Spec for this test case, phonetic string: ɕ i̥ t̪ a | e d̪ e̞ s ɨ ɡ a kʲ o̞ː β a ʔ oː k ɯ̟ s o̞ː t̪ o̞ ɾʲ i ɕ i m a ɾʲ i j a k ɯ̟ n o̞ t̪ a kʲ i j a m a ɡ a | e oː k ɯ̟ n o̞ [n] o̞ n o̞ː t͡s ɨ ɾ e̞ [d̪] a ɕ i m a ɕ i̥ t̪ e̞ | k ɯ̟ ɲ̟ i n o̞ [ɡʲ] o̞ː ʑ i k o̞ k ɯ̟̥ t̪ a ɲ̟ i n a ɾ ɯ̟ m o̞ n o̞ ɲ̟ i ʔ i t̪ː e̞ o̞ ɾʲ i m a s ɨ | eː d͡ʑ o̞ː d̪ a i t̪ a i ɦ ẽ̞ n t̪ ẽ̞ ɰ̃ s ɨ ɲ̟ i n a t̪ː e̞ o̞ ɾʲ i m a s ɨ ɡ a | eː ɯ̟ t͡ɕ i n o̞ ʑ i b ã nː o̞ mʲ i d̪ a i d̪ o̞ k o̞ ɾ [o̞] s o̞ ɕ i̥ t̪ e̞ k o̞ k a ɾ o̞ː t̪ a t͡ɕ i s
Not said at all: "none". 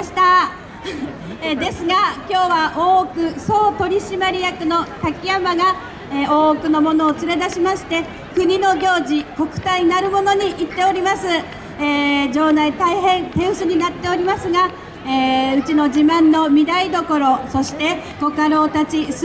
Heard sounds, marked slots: m, d̪, ɡʲ, o̞

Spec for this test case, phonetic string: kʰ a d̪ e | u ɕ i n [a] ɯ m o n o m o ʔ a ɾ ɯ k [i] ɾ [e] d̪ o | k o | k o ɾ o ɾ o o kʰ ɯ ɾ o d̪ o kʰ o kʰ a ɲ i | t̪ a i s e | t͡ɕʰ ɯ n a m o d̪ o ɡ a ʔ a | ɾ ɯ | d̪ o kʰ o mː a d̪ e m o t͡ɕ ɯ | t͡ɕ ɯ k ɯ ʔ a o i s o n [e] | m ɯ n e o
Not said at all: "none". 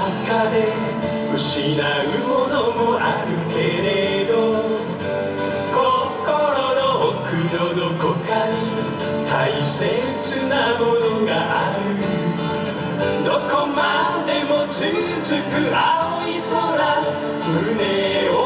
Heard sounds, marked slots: a, e, e, a

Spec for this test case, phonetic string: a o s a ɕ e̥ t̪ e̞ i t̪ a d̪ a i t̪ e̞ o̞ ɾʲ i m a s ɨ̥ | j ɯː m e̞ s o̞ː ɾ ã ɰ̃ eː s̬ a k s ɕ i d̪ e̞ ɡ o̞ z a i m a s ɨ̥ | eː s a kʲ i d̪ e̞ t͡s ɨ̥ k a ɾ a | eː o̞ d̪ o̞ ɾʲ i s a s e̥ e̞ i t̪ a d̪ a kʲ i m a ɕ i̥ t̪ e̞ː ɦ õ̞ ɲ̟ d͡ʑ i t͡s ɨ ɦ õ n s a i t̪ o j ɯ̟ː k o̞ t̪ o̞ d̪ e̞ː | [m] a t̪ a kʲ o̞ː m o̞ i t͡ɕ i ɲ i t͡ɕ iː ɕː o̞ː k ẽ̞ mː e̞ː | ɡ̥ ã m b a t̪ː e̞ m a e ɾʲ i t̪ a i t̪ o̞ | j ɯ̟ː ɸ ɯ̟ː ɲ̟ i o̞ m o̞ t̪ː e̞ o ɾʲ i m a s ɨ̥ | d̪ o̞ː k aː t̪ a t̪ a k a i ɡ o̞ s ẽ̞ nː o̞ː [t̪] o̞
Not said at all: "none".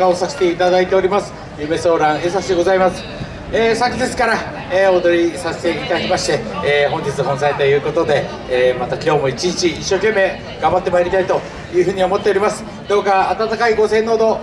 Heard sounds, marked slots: m, d̪

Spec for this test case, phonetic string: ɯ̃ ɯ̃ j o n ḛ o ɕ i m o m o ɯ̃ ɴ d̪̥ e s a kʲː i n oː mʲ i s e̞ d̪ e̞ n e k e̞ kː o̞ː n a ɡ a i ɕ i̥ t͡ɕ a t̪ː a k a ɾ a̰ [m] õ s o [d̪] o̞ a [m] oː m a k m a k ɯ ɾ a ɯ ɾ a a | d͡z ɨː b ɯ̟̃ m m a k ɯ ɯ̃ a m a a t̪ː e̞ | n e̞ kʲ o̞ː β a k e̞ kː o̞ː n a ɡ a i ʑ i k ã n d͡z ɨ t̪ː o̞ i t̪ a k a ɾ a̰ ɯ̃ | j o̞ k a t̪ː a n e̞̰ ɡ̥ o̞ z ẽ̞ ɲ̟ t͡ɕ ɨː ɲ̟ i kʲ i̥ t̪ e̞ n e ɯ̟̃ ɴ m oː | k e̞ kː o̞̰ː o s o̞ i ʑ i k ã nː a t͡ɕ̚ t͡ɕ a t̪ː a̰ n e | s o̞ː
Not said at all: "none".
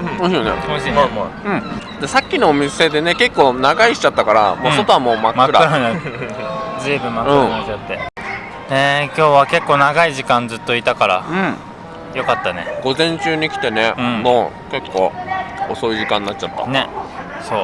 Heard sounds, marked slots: m, t̪, m

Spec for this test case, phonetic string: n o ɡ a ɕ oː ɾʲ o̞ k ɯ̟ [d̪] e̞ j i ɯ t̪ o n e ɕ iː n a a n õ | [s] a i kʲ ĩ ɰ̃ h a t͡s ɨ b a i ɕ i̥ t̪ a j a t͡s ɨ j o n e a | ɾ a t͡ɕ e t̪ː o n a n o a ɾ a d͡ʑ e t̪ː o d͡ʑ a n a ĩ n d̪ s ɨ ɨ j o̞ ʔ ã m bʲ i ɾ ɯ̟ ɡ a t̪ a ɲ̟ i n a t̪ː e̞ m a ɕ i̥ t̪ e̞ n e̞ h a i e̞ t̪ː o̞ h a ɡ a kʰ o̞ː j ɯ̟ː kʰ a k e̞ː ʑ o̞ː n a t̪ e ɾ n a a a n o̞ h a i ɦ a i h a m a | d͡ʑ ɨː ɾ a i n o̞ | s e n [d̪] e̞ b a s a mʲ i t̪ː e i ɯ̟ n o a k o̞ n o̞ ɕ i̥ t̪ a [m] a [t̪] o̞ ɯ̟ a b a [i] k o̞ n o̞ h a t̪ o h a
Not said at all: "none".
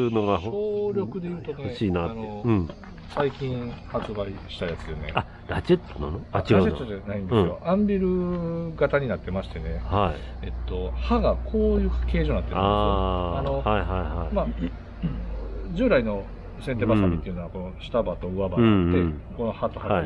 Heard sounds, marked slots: d̪, s, t̪, b, t̪, e

